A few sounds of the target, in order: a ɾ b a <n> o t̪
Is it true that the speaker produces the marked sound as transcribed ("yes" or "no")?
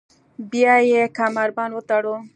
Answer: yes